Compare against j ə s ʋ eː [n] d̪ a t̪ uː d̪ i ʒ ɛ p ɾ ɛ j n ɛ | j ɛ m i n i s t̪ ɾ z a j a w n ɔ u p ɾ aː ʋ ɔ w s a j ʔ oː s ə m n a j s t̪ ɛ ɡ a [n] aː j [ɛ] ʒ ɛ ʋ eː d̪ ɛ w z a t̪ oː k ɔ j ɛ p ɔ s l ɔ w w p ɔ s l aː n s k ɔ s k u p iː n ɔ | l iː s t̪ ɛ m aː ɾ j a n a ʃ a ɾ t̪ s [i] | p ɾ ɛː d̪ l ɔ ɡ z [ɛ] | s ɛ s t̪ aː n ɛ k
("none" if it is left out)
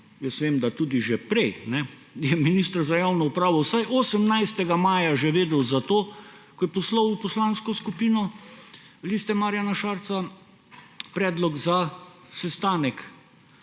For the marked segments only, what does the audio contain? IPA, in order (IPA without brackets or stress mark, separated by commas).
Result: m, m, a, a, a